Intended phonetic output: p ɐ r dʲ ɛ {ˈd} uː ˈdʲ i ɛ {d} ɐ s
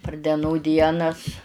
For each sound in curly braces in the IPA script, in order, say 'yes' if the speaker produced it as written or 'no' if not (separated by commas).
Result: no, no